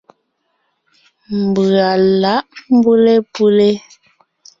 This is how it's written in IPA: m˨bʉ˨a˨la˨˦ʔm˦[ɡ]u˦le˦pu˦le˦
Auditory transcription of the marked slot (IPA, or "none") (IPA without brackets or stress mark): b